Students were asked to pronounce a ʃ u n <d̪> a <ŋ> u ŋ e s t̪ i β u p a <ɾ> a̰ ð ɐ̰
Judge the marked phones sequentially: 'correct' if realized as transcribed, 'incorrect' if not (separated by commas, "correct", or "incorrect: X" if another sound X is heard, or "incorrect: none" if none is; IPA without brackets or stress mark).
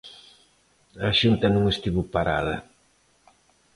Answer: incorrect: t̪, incorrect: n, correct